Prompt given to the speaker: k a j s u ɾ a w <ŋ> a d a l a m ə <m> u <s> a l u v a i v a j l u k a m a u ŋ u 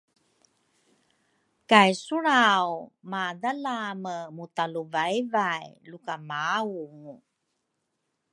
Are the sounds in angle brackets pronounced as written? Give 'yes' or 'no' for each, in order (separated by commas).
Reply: no, yes, no